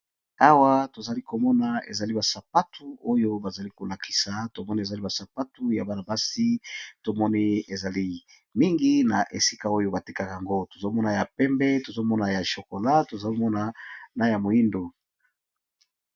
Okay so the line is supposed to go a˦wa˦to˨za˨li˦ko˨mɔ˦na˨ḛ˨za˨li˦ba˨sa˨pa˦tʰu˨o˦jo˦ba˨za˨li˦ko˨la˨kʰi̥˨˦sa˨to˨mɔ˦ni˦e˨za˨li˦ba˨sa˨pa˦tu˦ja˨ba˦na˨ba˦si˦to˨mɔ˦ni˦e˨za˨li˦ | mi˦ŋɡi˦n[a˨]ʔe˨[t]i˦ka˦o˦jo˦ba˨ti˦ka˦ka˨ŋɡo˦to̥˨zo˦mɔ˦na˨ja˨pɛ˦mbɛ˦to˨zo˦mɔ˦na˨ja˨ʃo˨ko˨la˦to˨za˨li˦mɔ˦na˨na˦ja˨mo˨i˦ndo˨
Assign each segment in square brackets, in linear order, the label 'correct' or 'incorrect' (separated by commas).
correct, incorrect